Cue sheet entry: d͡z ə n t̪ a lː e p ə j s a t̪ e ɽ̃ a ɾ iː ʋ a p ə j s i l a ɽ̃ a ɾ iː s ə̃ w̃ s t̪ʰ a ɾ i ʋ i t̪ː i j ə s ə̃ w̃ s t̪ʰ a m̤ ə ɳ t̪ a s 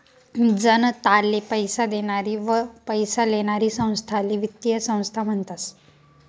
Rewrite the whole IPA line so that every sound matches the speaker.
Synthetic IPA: d͡z ə n t̪ a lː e p ə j s a d̪ e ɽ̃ a ɾ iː ʋ ə p ə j s a l e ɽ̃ a ɾ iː s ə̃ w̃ s t̪ʰ a l i ʋ i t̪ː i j ə s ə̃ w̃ s t̪ʰ a m̤ ə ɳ t̪ a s

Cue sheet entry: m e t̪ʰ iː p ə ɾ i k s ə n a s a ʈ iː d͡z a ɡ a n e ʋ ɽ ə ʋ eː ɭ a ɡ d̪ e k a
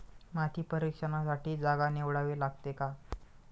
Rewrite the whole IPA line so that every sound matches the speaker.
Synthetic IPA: m a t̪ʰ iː p ə ɾ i k ʂ ə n a s a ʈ iː d͡z a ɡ a n e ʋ ɽ a ʋ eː l a ɡ t̪ e k a

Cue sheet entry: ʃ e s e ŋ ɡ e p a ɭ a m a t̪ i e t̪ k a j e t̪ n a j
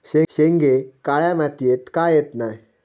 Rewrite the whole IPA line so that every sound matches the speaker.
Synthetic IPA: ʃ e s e ŋ ɡ e k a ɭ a m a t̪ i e t̪ k a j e t̪ n a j

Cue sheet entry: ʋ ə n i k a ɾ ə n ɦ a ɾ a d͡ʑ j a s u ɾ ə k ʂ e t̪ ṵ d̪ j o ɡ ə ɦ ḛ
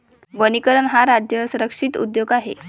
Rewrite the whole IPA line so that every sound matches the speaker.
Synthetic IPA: ʋ ə n i k ə ɾ ə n ɦ a ɾ a d͡ʑ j ə s u ɾ ə k ʂ i t̪ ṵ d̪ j o ɡ a ɦ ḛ

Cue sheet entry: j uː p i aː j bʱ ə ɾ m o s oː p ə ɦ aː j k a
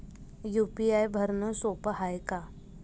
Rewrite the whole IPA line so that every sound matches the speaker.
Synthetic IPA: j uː p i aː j bʱ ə ɾ n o s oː p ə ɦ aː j k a

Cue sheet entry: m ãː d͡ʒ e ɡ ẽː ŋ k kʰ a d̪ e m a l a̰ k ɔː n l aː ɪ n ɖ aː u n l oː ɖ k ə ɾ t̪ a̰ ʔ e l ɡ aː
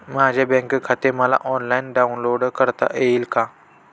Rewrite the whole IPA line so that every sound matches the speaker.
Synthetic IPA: m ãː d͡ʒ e b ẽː ŋ k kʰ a t̪ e m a l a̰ ʔ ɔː n l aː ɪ n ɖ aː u n l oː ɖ k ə ɾ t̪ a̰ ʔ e l k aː

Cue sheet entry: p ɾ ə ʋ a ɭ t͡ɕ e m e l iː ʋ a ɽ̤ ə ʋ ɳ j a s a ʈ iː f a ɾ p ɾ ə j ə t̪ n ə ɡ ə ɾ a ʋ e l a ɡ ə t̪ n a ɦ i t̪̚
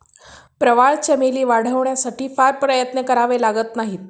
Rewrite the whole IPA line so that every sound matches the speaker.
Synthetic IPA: p ɾ ə ʋ a ɭ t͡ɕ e m e l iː ʋ a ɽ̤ ə ʋ ɳ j a s a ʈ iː f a ɾ p ɾ ə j ə t̪ n ə k ə ɾ a ʋ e l a ɡ ə t̪ n a ɦ i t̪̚

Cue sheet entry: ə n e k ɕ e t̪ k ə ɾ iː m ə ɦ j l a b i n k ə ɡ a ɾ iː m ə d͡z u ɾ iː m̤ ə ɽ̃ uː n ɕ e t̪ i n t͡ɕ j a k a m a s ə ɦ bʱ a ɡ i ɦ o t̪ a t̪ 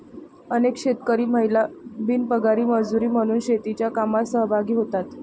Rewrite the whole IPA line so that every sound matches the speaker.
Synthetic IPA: ə n e k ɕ e t̪ k ə ɾ iː m ə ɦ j l a b i n p ə ɡ a ɾ iː m ə d͡z u ɾ iː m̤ ə ɽ̃ uː n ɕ e t̪ i t͡ɕ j a k a m a s ə ɦ bʱ a ɡ iː ɦ o t̪ a t̪

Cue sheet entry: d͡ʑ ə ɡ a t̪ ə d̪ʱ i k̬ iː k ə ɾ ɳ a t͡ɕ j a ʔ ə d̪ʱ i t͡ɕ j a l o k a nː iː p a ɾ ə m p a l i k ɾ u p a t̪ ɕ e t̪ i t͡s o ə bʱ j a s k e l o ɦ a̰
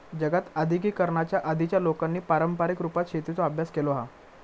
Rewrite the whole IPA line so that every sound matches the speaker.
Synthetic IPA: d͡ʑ ə ɡ a t̪ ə d̪ʱ i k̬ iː k ə ɾ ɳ a t͡ɕ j a ʔ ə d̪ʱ i t͡ɕ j a l o k a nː iː p a ɾ ə m p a ɾ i k ɾ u p a t̪ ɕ e t̪ i t͡s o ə bʱ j a s k e l o ɦ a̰

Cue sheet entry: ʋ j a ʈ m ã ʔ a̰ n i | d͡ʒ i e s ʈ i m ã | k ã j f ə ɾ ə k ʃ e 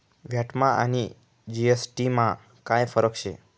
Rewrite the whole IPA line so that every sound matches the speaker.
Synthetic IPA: ʋ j a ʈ m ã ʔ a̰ n i | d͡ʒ i e s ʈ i m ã | k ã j f ə ɾ ə k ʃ e

